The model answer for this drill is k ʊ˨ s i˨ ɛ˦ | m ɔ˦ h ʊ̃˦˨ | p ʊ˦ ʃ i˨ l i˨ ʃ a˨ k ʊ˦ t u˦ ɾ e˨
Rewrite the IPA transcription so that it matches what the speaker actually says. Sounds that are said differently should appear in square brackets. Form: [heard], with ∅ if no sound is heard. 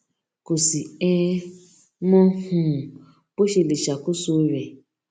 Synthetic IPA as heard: k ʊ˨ s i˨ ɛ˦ | m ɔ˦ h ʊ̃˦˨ | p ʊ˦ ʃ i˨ l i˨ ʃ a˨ k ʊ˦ [s] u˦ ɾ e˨

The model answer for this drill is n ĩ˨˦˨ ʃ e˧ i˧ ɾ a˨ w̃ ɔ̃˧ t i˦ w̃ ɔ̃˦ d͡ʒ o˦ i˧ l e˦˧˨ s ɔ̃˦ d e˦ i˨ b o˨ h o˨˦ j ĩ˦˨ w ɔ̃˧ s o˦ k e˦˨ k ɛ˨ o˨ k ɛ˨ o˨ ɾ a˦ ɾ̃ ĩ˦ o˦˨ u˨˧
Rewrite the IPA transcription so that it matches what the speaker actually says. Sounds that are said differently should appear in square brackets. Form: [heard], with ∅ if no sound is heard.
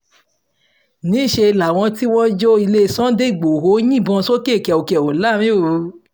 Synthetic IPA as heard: n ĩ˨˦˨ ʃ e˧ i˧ [l] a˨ w̃ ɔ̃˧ t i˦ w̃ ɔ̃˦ d͡ʒ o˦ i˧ l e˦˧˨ s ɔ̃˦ d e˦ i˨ [ɡ͡b] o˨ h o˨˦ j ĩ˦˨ [b] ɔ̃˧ s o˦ k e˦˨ k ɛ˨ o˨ k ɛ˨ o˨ [l] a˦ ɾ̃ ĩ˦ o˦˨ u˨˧

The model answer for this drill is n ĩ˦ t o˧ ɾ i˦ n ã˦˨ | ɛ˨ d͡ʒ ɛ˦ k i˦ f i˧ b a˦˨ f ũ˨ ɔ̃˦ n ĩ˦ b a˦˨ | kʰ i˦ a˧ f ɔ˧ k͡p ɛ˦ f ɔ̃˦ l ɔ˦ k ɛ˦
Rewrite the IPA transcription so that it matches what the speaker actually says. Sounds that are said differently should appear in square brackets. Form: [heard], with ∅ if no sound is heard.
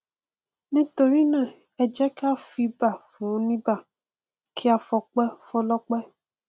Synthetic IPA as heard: n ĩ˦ t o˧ ɾ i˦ n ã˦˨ | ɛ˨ d͡ʒ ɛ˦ k [a˦] f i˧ b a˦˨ f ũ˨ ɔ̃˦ n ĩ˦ b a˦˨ | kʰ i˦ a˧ f ɔ˧ k͡p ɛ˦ f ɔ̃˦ l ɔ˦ [k͡p] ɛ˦

